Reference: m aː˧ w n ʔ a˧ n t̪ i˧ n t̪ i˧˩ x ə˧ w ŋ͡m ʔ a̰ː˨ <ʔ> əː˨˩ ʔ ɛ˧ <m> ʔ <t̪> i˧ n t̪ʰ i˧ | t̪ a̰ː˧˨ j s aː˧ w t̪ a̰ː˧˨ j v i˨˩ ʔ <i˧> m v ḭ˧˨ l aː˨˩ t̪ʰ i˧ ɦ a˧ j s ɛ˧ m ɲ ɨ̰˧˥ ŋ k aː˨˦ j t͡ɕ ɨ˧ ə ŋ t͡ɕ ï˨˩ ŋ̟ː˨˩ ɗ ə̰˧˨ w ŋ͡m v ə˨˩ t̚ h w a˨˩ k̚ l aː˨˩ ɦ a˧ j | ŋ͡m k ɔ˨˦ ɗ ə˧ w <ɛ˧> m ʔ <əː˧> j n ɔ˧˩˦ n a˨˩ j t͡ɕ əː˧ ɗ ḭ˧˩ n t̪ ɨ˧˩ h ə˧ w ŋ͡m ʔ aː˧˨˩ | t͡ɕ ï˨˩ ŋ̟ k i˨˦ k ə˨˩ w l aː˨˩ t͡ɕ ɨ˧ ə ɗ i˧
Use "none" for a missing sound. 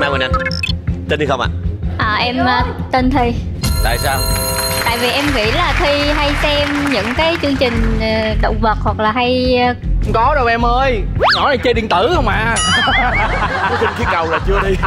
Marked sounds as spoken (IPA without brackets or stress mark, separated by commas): ʔ, m, t̪, ɛ˧, ɛ˧, əː˧